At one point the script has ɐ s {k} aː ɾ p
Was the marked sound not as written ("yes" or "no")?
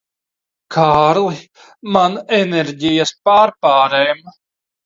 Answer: yes